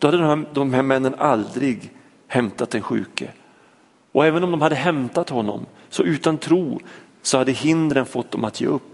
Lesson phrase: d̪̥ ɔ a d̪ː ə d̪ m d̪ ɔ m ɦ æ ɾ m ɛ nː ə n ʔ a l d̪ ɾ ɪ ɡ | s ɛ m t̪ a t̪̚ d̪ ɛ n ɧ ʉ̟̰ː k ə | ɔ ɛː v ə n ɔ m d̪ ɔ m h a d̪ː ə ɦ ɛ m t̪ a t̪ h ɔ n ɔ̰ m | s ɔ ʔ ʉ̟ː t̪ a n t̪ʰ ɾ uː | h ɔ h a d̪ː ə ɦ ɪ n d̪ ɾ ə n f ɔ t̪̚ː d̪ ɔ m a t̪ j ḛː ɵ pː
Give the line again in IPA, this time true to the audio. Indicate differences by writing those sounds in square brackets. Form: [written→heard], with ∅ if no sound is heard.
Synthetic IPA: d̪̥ ɔ a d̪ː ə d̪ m d̪ ɔ m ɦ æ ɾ m ɛ nː ə n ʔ a l d̪ ɾ ɪ ɡ | [s→h] ɛ m t̪ a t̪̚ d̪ ɛ n ɧ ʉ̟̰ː k ə | ɔ ɛː v ə n ɔ m d̪ ɔ m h a d̪ː ə ɦ ɛ m t̪ a t̪ h ɔ [n→nː] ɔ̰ m | s ɔ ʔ ʉ̟ː t̪ a n t̪ʰ ɾ uː | [h→s] ɔ h a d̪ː ə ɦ ɪ n d̪ ɾ ə n f ɔ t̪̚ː d̪ ɔ m a t̪ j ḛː ɵ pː